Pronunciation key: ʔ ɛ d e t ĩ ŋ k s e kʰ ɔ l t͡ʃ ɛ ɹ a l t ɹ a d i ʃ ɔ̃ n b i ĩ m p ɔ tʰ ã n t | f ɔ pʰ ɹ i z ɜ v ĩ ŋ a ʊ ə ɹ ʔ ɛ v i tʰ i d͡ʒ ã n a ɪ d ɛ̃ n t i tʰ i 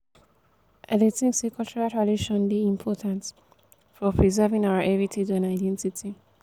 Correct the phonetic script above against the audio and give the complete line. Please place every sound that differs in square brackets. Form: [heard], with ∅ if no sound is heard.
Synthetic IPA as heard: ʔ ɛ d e t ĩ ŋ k s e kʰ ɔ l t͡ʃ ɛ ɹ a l t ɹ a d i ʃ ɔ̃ n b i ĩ m [pʰ] ɔ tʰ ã n t | f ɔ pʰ ɹ i z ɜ v ĩ ŋ a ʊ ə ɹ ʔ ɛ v i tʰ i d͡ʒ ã n a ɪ d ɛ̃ n t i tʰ i